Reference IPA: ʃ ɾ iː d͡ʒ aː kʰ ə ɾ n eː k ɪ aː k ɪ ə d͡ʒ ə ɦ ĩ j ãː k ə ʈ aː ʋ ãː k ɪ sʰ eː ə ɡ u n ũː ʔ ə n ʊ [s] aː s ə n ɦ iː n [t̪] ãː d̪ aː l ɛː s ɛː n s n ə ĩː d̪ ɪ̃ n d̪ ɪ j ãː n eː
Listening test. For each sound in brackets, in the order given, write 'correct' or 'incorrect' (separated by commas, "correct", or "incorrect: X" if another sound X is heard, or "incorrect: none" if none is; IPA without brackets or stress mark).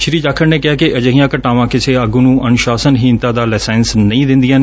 incorrect: ʃ, correct